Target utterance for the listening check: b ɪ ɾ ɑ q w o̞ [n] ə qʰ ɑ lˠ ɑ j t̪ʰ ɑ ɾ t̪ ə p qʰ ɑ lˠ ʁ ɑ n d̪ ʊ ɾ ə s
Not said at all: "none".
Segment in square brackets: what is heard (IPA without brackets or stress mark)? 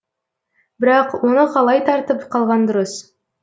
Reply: n